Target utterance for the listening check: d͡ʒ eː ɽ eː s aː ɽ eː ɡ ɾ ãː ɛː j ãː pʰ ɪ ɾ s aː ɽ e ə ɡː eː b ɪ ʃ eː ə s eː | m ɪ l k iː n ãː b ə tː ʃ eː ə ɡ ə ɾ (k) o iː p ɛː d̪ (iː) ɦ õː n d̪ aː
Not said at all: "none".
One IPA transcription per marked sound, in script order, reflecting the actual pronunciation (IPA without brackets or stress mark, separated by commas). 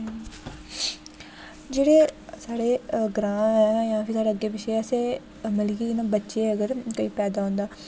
k, aː